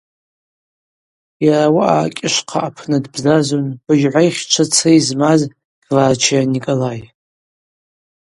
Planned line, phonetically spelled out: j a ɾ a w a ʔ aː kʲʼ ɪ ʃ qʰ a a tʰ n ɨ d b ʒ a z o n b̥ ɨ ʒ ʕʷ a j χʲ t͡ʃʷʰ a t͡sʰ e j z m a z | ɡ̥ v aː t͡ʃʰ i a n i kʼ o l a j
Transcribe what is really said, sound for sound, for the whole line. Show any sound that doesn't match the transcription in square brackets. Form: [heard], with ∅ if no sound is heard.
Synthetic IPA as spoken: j a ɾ a w a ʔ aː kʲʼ ɪ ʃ qʰ a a [pʰ] n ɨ d b [z] a z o n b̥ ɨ ʒ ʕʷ a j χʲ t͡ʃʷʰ a t͡sʰ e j z m a z | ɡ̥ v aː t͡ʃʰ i a n i kʼ o l a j